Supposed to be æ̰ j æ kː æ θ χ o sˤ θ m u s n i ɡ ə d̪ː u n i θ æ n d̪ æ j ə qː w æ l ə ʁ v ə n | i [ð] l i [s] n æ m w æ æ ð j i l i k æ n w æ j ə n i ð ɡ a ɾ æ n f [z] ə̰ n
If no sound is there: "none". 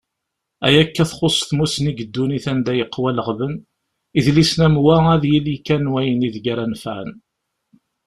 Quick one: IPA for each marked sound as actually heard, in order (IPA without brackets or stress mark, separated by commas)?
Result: ð, s, ʕ